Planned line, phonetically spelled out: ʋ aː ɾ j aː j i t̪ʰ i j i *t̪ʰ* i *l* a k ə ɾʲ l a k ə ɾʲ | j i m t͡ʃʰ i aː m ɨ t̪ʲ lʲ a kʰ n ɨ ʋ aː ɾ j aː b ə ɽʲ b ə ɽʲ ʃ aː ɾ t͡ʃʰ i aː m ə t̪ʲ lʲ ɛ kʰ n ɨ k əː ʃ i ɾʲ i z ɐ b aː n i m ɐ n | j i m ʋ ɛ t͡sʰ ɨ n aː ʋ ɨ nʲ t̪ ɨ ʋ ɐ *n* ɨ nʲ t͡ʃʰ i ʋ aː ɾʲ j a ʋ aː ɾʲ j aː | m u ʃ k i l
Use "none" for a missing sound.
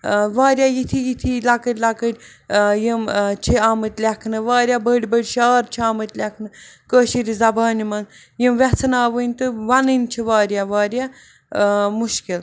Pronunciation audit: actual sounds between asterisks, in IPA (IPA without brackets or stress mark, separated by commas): t̪ʰ, l, n